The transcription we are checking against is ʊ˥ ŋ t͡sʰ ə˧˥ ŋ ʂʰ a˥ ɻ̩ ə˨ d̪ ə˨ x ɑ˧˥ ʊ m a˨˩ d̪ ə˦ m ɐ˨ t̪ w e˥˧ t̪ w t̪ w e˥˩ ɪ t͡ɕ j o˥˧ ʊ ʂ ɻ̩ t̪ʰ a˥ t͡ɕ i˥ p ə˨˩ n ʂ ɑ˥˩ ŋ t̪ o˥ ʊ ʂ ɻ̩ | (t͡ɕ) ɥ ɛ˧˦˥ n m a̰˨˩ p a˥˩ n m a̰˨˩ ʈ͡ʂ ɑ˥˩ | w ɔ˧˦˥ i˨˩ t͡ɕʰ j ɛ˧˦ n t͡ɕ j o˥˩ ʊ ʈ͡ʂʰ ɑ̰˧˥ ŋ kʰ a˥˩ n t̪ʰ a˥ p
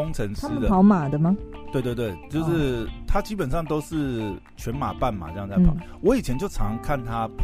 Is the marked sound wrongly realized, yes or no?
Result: yes